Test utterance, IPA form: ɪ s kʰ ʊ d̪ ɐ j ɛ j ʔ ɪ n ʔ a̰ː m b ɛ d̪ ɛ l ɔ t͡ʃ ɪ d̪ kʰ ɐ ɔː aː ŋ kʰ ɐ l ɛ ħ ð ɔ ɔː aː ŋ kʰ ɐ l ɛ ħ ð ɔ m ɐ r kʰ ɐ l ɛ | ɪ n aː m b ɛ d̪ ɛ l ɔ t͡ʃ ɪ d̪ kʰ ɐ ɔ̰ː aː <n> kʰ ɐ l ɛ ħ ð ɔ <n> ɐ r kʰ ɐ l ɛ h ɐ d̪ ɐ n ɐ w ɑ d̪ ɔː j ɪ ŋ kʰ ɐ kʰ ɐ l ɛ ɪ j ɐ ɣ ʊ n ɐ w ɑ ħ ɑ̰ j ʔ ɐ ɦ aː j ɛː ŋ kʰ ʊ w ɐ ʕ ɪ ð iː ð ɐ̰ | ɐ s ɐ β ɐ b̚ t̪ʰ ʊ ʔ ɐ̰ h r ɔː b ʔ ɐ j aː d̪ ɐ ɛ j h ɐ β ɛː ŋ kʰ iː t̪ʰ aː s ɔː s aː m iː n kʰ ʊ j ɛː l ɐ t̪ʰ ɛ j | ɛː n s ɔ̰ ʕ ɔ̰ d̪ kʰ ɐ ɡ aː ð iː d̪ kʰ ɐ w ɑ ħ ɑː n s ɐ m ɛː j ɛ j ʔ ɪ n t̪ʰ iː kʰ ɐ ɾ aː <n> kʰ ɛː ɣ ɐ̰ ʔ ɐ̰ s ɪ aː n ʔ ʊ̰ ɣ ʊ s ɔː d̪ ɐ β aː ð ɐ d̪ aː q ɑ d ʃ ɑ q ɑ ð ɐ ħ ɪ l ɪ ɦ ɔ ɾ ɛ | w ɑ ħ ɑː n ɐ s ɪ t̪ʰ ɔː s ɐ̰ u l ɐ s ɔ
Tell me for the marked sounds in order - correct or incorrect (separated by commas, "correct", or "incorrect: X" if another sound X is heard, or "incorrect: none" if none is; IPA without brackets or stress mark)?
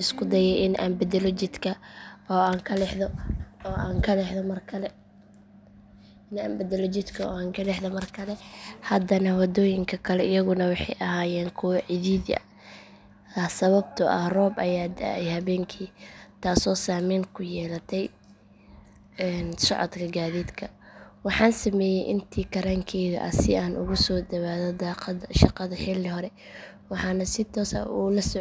incorrect: ŋ, incorrect: m, incorrect: ŋ